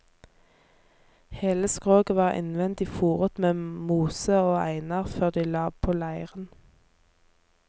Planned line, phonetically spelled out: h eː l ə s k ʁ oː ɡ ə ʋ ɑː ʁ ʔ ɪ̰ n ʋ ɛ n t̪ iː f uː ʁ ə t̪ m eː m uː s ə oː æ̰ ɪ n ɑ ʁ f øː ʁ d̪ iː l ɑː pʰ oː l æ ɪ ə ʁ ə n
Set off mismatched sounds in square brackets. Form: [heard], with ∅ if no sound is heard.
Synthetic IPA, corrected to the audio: h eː l ə s k ʁ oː ɡ ə ʋ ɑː ʁ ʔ ɪ̰ n ʋ ɛ n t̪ iː f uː ʁ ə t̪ m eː m uː s ə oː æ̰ ɪ n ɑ ʁ f øː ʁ d̪ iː l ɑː pʰ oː l æ ɪ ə ʁ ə n